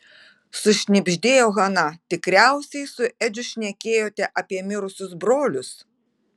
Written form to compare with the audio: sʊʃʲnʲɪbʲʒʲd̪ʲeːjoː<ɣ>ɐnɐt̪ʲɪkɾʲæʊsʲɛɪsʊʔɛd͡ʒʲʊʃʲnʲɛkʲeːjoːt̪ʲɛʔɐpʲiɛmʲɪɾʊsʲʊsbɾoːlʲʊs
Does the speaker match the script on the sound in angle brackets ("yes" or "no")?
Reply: yes